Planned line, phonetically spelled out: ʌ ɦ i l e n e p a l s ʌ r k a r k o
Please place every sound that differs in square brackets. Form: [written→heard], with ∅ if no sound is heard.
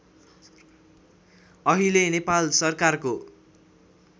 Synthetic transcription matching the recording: ʌ ɦ i l e n e p a l s ʌ r k a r k o